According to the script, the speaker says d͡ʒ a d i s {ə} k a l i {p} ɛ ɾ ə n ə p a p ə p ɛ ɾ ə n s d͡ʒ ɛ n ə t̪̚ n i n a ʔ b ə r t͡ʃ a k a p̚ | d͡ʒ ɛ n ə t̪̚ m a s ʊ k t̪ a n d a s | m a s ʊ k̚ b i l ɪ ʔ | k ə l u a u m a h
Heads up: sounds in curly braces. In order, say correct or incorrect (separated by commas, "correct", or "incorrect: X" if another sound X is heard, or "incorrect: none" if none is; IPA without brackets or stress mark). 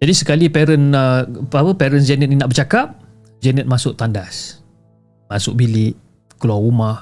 correct, correct